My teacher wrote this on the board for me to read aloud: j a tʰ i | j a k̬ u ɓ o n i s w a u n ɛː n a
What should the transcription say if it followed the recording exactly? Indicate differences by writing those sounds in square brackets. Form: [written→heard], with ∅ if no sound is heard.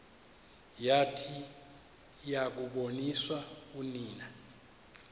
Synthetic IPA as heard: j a tʰ i | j a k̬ u ɓ o n i s w a u n [ɛː→iː] n a